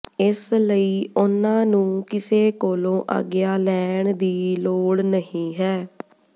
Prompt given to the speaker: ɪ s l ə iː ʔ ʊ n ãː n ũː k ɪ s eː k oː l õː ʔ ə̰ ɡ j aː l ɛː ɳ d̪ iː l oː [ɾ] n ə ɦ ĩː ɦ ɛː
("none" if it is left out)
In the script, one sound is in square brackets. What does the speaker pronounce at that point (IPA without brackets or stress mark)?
ɽ